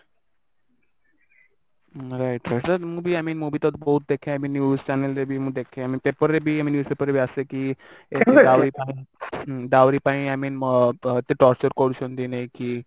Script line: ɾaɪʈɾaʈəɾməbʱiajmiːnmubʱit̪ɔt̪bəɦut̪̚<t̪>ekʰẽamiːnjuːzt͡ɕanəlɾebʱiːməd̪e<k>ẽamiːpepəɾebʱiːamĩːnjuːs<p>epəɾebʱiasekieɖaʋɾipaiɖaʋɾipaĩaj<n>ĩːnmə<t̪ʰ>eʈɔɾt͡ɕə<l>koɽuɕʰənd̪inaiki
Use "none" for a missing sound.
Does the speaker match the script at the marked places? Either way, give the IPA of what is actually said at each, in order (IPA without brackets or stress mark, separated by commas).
d̪, kʰ, p, m, t̪, ɾ